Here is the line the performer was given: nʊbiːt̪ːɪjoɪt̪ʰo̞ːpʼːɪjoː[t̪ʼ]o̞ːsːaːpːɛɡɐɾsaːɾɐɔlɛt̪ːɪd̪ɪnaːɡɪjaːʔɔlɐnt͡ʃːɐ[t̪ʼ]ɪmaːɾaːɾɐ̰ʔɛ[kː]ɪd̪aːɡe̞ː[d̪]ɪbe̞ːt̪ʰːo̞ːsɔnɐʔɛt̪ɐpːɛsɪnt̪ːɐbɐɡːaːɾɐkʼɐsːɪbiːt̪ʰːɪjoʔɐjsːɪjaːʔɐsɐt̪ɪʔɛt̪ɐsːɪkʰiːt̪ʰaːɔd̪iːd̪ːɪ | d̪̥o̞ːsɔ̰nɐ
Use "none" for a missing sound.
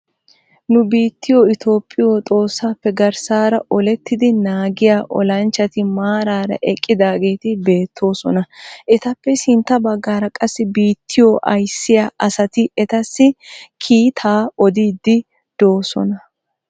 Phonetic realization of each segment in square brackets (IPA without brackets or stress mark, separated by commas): t̪ʼ, t̪, kʼː, t̪